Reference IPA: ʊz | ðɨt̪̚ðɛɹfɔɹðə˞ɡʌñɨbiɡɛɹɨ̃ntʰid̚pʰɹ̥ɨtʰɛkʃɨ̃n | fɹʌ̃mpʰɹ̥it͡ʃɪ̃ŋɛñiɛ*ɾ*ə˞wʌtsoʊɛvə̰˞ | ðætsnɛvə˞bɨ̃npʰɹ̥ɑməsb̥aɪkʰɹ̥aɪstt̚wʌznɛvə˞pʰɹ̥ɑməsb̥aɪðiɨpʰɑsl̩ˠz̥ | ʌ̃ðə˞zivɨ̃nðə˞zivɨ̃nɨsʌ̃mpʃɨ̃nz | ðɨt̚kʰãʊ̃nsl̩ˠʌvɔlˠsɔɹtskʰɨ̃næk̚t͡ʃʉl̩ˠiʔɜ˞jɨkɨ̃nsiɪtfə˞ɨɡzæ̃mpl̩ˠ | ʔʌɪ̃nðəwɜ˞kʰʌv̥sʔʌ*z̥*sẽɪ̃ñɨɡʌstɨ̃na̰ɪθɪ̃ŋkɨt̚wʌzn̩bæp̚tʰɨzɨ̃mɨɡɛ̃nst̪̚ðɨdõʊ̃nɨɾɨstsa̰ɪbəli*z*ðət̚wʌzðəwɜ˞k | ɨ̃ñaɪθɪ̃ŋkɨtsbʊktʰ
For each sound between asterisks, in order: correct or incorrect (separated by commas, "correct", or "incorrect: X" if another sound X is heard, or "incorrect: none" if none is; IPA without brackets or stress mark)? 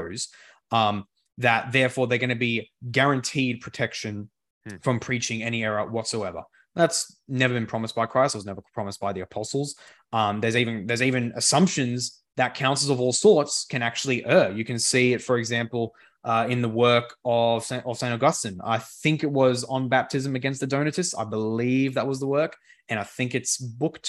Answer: incorrect: ɹ, incorrect: v̥, incorrect: v